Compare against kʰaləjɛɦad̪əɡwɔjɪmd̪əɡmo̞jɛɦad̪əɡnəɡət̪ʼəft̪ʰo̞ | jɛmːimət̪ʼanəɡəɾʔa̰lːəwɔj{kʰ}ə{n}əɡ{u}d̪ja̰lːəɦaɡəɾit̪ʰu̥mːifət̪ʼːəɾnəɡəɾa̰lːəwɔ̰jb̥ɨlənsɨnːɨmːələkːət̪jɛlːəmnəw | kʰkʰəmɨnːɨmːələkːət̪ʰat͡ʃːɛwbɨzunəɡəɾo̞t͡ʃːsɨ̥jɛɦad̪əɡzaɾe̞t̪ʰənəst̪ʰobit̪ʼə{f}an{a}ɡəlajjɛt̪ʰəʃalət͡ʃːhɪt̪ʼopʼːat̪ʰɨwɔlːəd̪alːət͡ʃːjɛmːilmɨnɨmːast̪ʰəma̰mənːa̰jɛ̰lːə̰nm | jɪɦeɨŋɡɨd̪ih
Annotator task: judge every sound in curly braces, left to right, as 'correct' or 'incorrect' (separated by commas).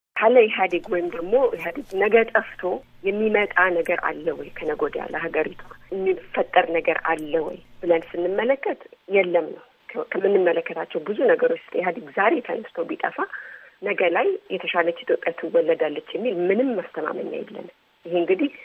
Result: correct, correct, incorrect, correct, incorrect